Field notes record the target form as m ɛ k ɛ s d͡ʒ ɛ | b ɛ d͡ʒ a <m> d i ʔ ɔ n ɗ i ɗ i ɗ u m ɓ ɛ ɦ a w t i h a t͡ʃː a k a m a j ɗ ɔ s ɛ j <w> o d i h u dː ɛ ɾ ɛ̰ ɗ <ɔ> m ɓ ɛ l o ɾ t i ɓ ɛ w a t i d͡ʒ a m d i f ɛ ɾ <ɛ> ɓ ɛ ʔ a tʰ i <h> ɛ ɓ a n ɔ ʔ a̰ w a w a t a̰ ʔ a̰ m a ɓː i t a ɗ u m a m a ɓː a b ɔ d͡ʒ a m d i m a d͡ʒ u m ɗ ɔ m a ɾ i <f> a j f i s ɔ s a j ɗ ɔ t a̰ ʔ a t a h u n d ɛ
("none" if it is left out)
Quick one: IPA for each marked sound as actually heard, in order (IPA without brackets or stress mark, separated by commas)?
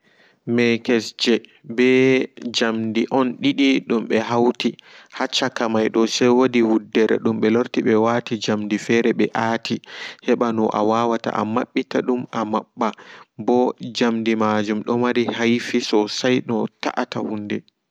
m, w, u, ɛ, h, h